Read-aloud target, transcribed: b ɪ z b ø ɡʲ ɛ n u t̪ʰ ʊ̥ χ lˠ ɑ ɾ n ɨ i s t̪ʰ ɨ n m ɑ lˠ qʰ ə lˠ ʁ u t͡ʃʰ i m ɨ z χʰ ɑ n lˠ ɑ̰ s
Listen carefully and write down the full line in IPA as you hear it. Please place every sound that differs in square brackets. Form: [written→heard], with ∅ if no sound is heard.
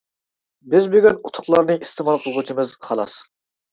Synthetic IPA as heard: b ɪ z b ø ɡʲ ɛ n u t̪ʰ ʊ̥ χ lˠ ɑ ɾ n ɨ i s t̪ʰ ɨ [n→∅] m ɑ lˠ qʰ ə lˠ ʁ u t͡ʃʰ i m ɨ z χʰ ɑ [n→∅] lˠ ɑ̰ s

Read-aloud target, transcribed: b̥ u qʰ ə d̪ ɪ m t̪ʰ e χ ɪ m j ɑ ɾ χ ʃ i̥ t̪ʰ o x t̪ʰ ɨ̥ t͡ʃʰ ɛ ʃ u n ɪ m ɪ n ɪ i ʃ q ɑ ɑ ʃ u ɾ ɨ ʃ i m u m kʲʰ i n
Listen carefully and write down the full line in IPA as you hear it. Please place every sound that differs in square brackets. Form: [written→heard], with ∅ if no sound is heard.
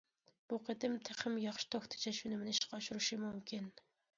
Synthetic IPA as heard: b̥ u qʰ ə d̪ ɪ m t̪ʰ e χ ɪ m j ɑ [ɾ→∅] χ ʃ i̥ t̪ʰ o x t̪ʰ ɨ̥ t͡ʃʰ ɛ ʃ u n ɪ m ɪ n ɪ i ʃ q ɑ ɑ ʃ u ɾ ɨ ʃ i m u m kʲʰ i n

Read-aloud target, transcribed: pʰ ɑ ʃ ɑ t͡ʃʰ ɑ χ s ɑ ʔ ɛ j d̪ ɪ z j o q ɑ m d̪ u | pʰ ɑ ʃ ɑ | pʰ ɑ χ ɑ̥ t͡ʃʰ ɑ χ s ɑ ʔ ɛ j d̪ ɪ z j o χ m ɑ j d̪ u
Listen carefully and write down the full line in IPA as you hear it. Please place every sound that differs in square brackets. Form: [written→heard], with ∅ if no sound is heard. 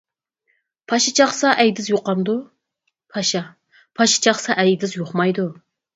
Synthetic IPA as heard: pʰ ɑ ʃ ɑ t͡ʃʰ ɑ χ s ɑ ʔ ɛ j d̪ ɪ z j o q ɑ m d̪ u | pʰ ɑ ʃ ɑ | pʰ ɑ [χ→ʃ] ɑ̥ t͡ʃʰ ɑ χ s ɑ ʔ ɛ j d̪ ɪ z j o χ m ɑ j d̪ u

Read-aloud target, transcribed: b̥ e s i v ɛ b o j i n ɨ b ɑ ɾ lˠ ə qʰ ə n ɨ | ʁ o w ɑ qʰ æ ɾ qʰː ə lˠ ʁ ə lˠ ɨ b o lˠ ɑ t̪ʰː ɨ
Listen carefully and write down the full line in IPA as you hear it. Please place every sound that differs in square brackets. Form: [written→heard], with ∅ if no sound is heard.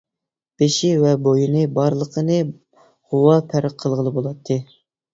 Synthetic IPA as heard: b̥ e [s→ʃ] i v ɛ b o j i n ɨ b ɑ ɾ lˠ ə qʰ ə n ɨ | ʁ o w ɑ [qʰ→pʰ] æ ɾ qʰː ə lˠ ʁ ə lˠ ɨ b o lˠ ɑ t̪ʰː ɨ

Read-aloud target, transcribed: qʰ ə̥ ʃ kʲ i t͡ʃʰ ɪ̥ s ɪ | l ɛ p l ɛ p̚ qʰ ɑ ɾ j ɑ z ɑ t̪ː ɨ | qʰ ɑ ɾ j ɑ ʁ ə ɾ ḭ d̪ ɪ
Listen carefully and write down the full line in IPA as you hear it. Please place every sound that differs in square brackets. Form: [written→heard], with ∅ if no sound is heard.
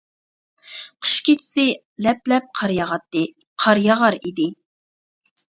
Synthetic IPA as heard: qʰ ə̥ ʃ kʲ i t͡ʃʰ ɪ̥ s ɪ | l ɛ p l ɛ p̚ qʰ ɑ ɾ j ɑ [z→ʁ] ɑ t̪ː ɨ | qʰ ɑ ɾ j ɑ ʁ [ə→ɑ] ɾ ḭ d̪ ɪ

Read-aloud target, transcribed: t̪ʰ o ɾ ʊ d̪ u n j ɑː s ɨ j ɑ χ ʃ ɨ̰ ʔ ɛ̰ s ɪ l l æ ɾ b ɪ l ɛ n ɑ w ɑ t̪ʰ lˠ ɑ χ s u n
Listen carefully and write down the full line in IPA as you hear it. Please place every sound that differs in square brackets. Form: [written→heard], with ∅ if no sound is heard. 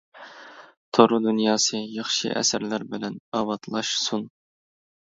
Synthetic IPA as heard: t̪ʰ o ɾ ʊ d̪ u n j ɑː s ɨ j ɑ χ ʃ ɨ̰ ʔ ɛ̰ s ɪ [l→ɾ] l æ ɾ b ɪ l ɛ n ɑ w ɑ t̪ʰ lˠ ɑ [χ→ʃ] s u n

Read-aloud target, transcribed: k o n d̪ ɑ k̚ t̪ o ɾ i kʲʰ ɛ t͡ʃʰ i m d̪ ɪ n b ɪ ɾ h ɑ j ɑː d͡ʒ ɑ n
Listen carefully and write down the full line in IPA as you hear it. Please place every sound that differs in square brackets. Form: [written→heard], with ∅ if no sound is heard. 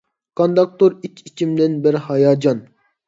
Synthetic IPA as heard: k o n d̪ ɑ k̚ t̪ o ɾ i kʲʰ [ɛ→i] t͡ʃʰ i m d̪ ɪ n b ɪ ɾ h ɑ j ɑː d͡ʒ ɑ n

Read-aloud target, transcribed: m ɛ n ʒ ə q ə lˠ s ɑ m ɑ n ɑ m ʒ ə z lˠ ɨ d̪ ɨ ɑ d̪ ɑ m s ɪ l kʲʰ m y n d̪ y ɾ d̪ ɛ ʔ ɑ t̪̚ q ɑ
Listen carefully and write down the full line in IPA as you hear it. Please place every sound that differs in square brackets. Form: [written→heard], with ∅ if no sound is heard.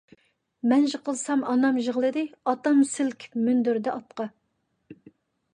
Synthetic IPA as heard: m ɛ n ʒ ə q ə lˠ s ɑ m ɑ n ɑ m ʒ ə [z→ʁ] lˠ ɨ d̪ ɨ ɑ [d̪→t̪] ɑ m s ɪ l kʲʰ m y n d̪ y ɾ d̪ ɛ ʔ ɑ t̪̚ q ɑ

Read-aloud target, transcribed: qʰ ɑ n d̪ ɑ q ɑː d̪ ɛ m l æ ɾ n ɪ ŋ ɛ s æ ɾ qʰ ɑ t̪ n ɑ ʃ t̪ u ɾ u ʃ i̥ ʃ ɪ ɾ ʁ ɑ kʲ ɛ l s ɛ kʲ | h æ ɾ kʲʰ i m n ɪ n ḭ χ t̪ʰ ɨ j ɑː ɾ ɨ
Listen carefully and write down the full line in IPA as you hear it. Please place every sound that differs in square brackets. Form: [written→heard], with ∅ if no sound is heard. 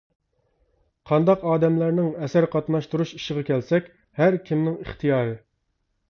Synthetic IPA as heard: qʰ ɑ n d̪ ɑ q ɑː d̪ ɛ m l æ ɾ n ɪ ŋ ɛ s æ ɾ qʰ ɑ t̪ n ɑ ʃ t̪ u ɾ u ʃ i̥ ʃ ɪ [ɾ→∅] ʁ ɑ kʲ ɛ l s ɛ kʲ | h æ ɾ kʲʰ i m n ɪ [n→ŋ] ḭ χ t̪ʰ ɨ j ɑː ɾ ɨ

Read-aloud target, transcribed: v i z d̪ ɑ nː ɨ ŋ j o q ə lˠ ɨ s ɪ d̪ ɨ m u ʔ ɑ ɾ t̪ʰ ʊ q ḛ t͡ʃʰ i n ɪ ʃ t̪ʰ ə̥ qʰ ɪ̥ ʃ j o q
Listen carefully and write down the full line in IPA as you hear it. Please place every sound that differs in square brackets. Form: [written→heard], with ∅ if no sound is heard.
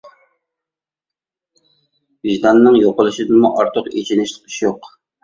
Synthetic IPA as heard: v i [z→ʒ] d̪ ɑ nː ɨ ŋ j o q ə lˠ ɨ [s→ʃ] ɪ d̪ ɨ m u ʔ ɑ ɾ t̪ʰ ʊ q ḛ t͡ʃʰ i n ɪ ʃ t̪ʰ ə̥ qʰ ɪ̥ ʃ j o q

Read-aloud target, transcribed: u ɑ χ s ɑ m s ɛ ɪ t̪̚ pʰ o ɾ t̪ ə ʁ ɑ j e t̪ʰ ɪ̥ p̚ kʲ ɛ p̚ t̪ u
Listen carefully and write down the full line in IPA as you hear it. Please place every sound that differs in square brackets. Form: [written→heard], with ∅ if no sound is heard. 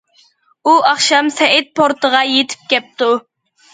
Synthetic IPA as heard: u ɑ χ [s→ʃ] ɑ m s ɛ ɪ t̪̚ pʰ o ɾ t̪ ə ʁ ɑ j e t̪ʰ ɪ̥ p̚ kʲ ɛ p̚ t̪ u

